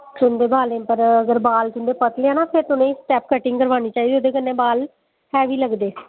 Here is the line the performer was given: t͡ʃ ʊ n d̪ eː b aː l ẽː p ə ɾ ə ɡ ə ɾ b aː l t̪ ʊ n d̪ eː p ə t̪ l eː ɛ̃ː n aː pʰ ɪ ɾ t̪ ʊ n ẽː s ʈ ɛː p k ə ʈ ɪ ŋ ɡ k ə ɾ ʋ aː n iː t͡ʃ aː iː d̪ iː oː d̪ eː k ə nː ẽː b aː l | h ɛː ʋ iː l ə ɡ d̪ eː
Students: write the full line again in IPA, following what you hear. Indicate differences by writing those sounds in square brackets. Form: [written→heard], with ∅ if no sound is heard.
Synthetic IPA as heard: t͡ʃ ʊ n d̪ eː b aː l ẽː p ə ɾ ə ɡ ə ɾ b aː l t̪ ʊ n d̪ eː p ə t̪ l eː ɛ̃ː n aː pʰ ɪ ɾ t̪ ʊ n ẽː s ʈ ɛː p k ə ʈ ɪ ŋ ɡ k ə ɾ ʋ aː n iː t͡ʃ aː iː d̪ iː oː d̪ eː k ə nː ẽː b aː l | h ɛː ʋ iː l ə ɡ d̪ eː